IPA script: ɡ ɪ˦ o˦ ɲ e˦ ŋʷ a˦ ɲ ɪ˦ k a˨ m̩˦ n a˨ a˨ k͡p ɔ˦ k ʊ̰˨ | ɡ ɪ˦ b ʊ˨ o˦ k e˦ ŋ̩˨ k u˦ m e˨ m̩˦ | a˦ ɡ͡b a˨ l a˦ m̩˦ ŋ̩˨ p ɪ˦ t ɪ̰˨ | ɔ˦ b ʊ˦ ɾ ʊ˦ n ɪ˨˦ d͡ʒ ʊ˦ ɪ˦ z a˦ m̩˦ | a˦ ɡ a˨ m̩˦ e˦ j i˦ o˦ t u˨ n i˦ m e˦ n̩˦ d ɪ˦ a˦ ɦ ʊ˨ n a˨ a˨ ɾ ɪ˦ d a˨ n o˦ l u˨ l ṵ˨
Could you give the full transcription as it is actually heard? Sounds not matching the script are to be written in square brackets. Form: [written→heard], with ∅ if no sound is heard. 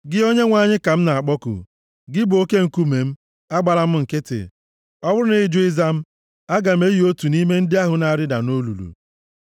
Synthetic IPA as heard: ɡ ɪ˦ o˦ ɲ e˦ ŋʷ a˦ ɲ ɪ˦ k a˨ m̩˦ n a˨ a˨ k͡p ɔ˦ k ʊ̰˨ | ɡ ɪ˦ b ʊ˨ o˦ k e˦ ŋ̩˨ k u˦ m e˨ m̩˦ | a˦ ɡ͡b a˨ l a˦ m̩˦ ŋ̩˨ [p→k] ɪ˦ t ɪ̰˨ | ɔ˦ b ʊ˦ ɾ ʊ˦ n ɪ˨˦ d͡ʒ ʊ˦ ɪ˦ z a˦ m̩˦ | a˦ ɡ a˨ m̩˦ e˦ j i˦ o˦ t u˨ n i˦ m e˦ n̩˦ d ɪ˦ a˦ ɦ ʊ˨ n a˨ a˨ ɾ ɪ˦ d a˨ n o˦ l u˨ l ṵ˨

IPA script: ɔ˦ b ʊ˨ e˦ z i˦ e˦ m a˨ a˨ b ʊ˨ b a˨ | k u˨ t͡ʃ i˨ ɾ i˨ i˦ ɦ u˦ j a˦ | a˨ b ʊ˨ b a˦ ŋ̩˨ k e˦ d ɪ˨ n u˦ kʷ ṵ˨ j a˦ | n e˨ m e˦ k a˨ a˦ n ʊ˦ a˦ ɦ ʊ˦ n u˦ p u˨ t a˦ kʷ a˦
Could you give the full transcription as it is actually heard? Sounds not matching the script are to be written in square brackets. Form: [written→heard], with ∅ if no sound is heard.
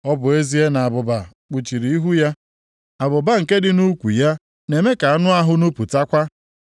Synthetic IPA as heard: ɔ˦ b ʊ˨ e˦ z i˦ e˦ [m→n] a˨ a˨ b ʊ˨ b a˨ | [k→k͡p] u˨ t͡ʃ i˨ ɾ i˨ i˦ ɦ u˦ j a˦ | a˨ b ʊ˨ b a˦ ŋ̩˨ k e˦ d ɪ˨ n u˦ kʷ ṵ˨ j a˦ | n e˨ m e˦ k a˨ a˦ n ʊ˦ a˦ ɦ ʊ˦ n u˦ p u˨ t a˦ kʷ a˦

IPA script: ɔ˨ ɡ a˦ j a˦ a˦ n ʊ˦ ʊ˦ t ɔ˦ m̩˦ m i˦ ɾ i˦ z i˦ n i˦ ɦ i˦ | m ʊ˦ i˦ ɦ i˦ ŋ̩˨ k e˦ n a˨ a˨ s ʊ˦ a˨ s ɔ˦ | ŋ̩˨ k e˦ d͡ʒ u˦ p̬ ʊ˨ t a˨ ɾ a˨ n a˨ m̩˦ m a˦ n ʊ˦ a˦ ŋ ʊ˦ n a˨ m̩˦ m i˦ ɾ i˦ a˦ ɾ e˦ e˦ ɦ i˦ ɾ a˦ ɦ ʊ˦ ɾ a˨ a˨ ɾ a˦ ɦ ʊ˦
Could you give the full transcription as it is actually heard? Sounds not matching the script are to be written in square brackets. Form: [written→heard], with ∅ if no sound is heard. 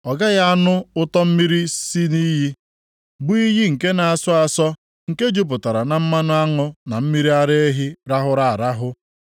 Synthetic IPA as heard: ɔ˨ ɡ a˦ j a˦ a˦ n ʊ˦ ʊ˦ t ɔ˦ m̩˦ m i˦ ɾ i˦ [z→s] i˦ n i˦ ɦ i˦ | [m→b] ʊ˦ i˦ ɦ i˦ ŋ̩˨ k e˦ n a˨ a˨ s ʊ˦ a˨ s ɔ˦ | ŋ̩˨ k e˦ d͡ʒ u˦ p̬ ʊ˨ t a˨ ɾ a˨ n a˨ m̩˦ m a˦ n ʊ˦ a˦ ŋ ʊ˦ n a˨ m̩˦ m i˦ ɾ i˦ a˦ ɾ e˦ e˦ ɦ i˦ ɾ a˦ ɦ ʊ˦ ɾ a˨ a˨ ɾ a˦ ɦ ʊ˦

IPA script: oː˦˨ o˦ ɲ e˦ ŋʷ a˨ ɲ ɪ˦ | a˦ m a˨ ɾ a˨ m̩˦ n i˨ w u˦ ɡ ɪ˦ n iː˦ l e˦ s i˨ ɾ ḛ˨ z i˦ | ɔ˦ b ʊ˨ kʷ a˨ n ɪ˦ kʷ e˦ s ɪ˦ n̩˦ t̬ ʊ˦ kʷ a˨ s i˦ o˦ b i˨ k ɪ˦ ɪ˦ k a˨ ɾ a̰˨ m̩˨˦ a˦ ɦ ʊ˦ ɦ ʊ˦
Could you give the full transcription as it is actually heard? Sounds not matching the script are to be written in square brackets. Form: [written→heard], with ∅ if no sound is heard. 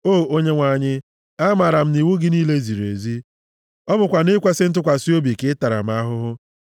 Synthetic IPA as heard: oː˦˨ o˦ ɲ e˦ ŋʷ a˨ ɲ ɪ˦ | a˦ m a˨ ɾ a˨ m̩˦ n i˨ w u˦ ɡ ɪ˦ n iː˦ l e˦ [s→z] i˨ ɾ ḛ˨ z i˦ | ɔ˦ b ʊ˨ kʷ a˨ n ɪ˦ kʷ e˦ s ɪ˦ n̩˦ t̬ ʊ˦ kʷ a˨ s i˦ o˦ b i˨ k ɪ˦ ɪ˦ [k→t] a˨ ɾ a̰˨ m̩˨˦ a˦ ɦ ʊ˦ ɦ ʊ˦

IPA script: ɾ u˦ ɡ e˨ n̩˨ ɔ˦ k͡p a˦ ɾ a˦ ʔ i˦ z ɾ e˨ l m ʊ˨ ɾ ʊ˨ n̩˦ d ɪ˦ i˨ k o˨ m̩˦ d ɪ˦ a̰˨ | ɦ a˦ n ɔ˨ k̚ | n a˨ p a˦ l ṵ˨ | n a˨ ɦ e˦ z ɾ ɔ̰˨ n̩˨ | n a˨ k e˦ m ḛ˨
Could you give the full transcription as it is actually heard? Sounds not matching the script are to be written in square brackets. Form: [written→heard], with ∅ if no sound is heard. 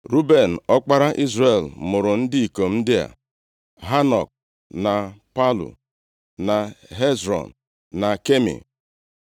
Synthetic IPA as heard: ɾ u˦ [ɡ→b] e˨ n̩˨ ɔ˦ k͡p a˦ ɾ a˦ ʔ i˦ z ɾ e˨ l m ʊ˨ ɾ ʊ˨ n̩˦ d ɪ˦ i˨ k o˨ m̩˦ d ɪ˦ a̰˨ | ɦ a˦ n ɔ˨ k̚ | n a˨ p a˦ l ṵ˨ | n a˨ ɦ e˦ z ɾ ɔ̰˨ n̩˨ | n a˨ k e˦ m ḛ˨

